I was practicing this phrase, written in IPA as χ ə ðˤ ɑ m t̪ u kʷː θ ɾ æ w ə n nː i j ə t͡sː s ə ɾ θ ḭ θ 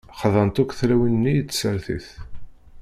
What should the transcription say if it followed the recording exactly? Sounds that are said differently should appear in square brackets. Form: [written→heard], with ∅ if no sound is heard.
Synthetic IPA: χ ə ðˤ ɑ [m→n] t̪ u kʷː θ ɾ æ w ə n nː i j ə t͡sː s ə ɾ θ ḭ θ